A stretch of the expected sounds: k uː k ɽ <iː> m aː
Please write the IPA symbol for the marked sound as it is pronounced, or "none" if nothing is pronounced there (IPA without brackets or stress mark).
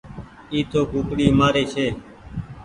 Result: iː